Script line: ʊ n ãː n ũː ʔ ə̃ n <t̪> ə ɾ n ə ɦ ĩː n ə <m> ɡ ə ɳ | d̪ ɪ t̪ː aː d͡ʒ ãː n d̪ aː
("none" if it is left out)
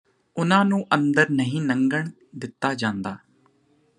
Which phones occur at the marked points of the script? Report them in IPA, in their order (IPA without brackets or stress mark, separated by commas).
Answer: d̪, ŋ